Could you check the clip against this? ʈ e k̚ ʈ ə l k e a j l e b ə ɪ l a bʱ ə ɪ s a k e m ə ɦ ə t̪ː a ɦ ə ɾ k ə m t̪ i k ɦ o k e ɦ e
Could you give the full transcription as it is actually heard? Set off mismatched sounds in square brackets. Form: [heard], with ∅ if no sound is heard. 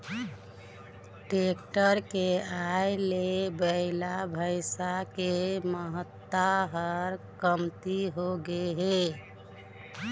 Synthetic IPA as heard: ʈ e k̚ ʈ ə [ɾ] k e a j l e b ə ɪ l a bʱ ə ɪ s a k e m ə ɦ ə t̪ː a ɦ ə ɾ k ə m t̪ i [∅] ɦ o [ɡ] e ɦ e